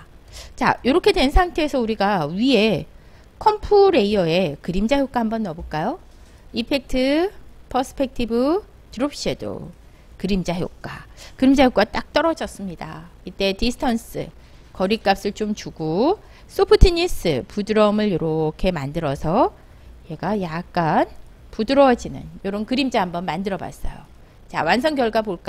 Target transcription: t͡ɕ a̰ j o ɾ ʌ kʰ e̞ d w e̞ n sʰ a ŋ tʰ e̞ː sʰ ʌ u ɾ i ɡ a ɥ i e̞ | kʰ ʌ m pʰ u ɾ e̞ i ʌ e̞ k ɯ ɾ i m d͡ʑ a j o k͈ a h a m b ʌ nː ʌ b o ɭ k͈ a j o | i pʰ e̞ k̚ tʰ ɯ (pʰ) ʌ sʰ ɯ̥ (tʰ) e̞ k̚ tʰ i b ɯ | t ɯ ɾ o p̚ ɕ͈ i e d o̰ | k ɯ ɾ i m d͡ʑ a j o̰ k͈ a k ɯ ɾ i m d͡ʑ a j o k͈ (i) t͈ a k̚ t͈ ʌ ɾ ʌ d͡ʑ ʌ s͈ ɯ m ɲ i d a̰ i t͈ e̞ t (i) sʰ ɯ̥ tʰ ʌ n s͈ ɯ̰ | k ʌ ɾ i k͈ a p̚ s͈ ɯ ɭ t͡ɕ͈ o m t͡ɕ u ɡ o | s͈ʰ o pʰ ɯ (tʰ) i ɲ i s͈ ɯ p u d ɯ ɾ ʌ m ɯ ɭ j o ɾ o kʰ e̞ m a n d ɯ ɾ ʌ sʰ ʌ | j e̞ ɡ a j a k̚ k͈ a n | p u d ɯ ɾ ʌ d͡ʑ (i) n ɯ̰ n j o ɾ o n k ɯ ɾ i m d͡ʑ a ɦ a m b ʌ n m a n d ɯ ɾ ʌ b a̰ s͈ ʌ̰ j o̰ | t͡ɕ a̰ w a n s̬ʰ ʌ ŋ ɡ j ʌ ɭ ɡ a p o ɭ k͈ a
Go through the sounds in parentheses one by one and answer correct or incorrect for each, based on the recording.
correct, incorrect, incorrect, correct, correct, correct

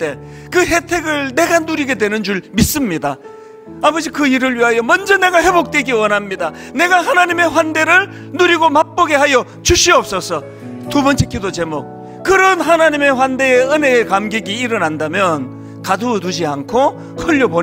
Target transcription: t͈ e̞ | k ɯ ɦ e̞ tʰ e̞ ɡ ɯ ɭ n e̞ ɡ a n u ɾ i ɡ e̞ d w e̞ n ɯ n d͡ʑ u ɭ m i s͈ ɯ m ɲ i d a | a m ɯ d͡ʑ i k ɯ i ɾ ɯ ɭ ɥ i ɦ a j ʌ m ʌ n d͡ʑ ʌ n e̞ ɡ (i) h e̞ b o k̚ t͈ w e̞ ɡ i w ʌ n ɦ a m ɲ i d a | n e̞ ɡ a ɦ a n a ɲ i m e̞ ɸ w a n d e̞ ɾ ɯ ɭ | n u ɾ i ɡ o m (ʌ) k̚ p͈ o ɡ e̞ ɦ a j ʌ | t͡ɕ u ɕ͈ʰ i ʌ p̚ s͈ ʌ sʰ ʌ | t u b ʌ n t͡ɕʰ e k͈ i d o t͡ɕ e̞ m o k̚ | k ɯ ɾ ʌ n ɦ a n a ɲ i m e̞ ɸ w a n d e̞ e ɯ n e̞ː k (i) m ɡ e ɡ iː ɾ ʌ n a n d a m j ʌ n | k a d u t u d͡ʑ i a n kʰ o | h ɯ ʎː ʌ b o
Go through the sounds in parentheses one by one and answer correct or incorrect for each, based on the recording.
incorrect, incorrect, incorrect

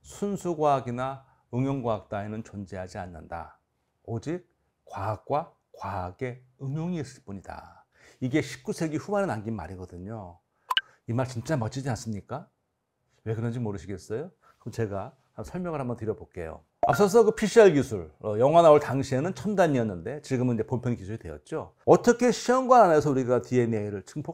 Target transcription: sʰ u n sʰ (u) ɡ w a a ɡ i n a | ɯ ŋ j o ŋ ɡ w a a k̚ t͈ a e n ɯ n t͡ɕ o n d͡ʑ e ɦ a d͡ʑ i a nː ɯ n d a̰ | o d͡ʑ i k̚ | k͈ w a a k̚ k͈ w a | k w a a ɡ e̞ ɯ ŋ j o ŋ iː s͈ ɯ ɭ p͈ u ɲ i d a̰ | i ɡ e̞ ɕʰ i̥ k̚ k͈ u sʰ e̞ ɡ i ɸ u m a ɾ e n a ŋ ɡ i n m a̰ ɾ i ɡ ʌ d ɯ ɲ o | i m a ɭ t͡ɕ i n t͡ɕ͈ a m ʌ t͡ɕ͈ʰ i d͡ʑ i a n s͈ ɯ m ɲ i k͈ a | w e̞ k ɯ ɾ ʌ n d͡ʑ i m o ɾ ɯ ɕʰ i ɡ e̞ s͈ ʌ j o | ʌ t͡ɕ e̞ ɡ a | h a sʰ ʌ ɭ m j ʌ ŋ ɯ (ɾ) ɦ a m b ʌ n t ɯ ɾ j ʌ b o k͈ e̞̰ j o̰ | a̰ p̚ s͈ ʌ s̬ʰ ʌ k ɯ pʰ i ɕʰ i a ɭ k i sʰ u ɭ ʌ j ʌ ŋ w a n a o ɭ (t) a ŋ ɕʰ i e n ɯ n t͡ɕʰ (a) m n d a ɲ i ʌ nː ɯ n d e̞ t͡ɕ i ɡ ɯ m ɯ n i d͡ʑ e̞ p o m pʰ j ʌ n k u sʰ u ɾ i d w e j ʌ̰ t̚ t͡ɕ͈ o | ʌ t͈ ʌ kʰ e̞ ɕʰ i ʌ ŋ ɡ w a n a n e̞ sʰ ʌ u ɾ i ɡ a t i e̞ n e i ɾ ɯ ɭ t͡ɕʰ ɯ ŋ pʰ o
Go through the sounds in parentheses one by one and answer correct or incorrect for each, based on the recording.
correct, incorrect, correct, incorrect

